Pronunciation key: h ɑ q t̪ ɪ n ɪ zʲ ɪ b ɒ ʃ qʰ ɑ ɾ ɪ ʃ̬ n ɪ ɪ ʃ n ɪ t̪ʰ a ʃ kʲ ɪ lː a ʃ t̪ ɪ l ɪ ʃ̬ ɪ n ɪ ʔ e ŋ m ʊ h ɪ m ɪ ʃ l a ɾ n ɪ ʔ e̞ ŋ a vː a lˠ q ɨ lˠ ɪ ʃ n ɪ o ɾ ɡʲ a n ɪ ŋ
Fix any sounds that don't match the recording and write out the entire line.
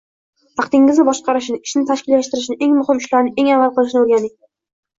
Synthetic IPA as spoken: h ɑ q t̪ ɪ ŋ ɪ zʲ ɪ b ɒ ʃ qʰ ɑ ɾ ɪ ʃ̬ n ɪ ɪ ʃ n ɪ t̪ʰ a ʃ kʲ ɪ lː a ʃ t̪ ɪ ɾ ɪ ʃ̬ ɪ n ɪ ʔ e ŋ m ʊ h ɪ m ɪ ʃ l a ɾ n ɪ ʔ e̞ ŋ a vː a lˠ q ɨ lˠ ɪ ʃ n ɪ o ɾ ɡʲ a n ɪ ŋ